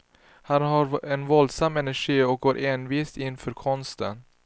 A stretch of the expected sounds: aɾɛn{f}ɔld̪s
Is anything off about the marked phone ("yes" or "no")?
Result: yes